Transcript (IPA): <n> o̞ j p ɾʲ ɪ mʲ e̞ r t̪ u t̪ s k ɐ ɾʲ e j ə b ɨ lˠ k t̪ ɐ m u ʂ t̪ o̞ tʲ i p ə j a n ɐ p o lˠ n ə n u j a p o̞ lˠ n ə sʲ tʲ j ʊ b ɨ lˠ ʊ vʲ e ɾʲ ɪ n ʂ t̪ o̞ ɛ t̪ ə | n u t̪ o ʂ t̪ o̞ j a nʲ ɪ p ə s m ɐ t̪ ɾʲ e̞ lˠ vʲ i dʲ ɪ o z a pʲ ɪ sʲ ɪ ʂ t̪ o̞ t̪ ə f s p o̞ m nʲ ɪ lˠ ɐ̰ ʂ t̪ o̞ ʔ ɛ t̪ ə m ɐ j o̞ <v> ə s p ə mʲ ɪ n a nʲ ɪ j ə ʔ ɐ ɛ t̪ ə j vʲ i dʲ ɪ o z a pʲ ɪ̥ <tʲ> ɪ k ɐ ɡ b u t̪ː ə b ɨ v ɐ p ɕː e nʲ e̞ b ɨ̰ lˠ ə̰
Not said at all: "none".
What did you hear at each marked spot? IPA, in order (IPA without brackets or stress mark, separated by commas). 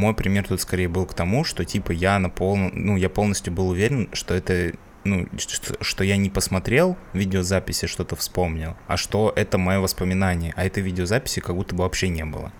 m, v, sʲ